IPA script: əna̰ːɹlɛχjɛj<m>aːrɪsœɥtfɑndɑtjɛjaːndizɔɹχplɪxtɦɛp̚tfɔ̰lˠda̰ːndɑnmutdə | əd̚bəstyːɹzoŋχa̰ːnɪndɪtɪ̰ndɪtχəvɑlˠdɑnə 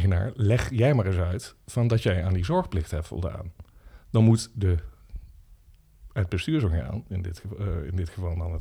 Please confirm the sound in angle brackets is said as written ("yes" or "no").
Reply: yes